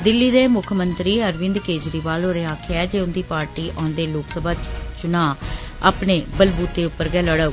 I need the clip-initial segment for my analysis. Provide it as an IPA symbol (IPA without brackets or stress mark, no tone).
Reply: d̪